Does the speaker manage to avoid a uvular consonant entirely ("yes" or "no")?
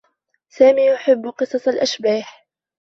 no